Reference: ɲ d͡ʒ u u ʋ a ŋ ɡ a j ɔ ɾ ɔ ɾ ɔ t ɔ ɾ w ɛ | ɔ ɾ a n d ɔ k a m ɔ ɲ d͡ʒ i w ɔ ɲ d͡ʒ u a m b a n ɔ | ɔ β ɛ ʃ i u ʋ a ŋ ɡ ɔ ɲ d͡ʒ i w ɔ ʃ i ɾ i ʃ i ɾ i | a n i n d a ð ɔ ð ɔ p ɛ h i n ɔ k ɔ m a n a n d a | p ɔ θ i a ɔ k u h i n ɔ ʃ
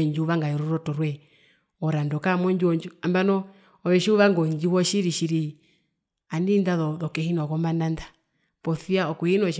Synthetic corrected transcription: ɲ d͡ʒ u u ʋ a ŋ ɡ a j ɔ ɾ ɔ ɾ ɔ t ɔ ɾ w ɛ | ɔ ɾ a n d ɔ k a m ɔ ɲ d͡ʒ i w ɔ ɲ d͡ʒ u a m b a n ɔ | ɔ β ɛ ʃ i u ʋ a ŋ ɡ ɔ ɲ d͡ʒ i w ɔ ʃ i ɾ i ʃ i ɾ i | a n i n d a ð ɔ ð ɔ k ɛ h i n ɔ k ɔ m a n a n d a | p ɔ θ i a ɔ k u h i n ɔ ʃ